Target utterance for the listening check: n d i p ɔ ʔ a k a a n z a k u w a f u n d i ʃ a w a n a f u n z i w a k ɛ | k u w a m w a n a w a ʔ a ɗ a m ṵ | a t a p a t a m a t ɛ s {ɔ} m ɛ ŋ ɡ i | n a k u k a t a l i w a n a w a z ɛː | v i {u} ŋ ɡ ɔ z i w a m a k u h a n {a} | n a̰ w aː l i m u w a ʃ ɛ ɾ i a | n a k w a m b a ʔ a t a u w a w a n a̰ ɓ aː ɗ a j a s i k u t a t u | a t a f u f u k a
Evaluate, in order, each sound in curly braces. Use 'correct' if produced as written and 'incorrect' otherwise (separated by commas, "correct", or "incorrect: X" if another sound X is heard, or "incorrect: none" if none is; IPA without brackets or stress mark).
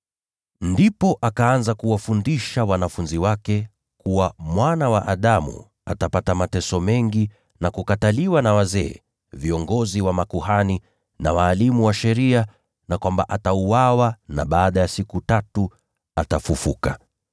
correct, incorrect: ɔ, incorrect: i